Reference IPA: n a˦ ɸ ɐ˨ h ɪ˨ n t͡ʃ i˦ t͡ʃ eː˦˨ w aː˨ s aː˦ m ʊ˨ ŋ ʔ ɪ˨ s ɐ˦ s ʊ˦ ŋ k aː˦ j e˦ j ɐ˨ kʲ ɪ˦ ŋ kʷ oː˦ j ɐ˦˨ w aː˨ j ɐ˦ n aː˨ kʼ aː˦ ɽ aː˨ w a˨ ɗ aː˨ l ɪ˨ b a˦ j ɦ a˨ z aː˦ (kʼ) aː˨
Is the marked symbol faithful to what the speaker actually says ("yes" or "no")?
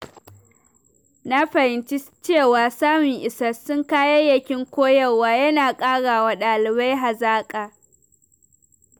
yes